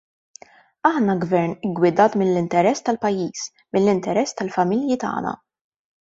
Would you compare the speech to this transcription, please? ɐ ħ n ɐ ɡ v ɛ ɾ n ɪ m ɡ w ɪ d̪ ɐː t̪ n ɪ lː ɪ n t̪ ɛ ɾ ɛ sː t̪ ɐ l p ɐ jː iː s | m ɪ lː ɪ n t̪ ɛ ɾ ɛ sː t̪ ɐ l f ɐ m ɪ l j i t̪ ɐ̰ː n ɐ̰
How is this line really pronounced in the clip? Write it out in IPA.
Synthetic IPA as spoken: ɐ ħ n ɐ ɡ v ɛ ɾ n ɪ ɡ w ɪ d̪ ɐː t̪ m ɪ lː ɪ n t̪ ɛ ɾ ɛ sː t̪ ɐ l p ɐ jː iː s | m ɪ lː ɪ n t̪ ɛ ɾ ɛ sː t̪ ɐ l f ɐ m ɪ l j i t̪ ɐ̰ː n ɐ̰